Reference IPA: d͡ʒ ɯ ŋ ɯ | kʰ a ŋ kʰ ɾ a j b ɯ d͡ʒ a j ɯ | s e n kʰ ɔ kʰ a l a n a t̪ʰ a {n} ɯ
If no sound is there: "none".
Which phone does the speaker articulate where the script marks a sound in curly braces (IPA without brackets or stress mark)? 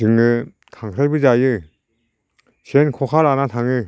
ŋ